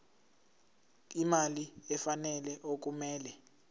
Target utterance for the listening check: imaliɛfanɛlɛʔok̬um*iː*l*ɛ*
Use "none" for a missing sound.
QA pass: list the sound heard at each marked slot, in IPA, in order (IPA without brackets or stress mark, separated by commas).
ɛː, ɛ